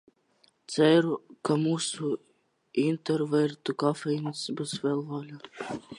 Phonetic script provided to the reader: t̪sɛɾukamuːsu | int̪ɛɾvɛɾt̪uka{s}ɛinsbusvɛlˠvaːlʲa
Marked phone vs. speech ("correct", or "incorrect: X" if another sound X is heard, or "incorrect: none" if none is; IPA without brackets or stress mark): incorrect: f